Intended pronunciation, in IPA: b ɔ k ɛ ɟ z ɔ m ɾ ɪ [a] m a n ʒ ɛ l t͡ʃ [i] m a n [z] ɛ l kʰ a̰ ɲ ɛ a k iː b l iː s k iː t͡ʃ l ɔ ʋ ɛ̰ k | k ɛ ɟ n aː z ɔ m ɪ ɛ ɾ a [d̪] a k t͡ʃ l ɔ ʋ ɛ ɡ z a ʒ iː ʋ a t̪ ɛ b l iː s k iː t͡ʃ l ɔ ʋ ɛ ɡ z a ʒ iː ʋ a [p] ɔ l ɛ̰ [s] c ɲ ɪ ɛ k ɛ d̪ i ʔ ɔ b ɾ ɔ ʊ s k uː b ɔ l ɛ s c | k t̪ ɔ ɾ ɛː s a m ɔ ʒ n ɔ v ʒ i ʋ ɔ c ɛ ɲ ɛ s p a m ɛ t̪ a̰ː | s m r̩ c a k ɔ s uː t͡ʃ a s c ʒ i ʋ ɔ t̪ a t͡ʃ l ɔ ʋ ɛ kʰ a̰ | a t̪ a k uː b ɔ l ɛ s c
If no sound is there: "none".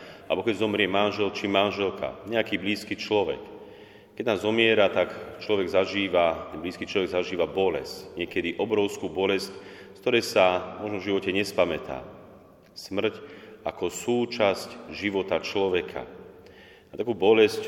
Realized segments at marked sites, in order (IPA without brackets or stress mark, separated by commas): ɛ, i, ʒ, t̪, b, s